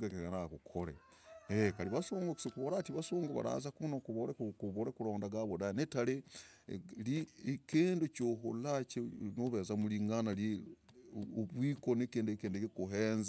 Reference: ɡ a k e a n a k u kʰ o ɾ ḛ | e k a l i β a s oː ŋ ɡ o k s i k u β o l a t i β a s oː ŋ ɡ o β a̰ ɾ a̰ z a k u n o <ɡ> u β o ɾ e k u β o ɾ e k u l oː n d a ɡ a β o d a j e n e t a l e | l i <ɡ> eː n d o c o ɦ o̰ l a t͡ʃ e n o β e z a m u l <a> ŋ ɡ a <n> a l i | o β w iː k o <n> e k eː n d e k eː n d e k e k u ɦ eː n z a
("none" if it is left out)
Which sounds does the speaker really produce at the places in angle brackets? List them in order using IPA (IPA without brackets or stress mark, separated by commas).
k, k, i, n, n